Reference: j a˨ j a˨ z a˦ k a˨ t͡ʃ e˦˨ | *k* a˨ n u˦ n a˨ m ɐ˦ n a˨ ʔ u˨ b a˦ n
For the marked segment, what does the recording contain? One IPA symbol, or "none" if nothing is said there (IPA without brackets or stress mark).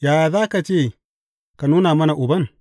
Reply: k